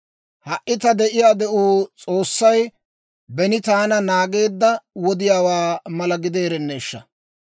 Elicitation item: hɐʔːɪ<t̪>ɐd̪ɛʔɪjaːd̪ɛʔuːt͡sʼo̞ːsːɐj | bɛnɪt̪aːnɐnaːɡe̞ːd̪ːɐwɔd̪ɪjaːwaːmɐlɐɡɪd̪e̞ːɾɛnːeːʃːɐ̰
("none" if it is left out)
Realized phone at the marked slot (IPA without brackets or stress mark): t̪